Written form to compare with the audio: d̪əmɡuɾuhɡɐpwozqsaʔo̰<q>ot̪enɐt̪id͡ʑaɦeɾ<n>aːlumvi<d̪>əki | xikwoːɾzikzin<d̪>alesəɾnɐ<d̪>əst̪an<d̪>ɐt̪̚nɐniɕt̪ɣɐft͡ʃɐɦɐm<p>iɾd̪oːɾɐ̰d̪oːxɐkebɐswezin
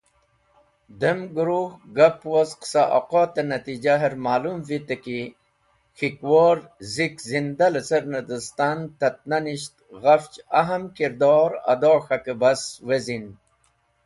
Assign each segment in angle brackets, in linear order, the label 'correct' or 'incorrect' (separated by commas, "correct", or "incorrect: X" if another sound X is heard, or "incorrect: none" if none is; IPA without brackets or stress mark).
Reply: correct, incorrect: m, incorrect: t̪, correct, correct, incorrect: t̪, incorrect: k